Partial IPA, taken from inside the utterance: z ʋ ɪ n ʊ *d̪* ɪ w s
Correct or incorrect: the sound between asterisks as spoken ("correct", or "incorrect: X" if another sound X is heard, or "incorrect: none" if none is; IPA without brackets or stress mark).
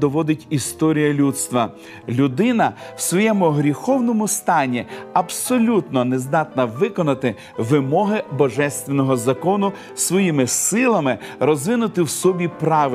incorrect: t̪